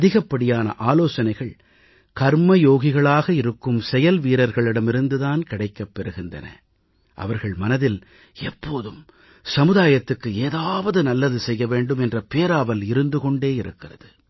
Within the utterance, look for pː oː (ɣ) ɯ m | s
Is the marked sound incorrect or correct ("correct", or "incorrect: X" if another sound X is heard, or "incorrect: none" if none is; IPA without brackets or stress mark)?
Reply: incorrect: ð